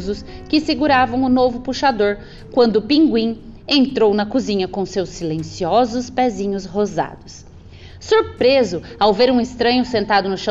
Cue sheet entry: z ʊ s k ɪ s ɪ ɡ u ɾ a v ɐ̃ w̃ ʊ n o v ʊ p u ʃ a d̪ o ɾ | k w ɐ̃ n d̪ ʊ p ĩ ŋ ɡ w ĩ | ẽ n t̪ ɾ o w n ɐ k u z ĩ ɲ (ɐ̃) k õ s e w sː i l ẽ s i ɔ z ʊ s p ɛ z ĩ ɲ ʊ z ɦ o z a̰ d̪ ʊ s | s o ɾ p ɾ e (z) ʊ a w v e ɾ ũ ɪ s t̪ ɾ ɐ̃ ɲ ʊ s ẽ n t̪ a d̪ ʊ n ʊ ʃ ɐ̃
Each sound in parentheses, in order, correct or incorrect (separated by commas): incorrect, correct